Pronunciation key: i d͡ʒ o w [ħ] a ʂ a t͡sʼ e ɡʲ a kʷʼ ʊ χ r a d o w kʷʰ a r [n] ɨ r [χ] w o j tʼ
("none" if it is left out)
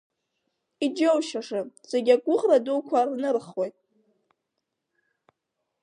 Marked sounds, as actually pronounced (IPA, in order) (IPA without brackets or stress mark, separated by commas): ʃ, n, χ